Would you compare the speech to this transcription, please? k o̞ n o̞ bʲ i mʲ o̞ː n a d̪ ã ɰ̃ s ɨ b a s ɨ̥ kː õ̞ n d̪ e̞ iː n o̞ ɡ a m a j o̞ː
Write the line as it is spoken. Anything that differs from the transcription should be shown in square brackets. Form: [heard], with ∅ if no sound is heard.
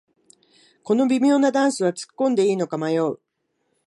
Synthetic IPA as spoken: k o̞ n o̞ bʲ i mʲ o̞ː n a d̪ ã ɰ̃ s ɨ [β] a [t͡s] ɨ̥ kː õ̞ n d̪ e̞ iː n o̞ [k] a m a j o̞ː